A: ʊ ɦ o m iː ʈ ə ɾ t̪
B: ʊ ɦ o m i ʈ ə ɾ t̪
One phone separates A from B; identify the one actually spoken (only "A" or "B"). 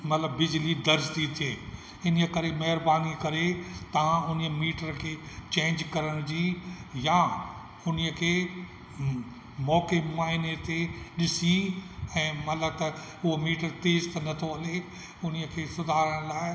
A